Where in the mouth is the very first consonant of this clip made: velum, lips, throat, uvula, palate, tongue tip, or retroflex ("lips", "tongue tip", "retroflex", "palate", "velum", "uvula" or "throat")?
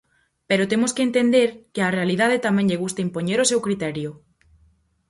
lips